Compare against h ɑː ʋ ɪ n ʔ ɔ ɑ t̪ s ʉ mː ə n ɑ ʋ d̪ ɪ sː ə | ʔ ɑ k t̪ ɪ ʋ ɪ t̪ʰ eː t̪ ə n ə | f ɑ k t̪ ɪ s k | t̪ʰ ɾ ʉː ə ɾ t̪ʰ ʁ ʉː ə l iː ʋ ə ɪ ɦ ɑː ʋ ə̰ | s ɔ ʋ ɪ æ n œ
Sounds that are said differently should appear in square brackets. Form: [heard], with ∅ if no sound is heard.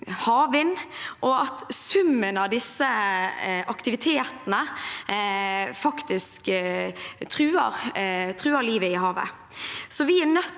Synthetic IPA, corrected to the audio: h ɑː ʋ ɪ n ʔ ɔ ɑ t̪ s ʉ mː ə n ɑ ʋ d̪ ɪ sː ə | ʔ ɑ k t̪ ɪ ʋ ɪ t̪ʰ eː t̪ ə n ə | f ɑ k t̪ ɪ s k | t̪ʰ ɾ ʉː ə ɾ t̪ʰ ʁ ʉː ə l iː ʋ ə ɪ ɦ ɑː ʋ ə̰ | s ɔ ʋ ɪ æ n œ